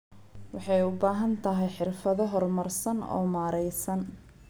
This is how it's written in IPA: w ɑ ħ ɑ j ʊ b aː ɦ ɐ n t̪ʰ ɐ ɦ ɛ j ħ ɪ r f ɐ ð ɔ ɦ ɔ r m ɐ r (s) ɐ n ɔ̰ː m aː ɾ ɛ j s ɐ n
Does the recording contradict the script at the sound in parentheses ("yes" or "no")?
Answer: no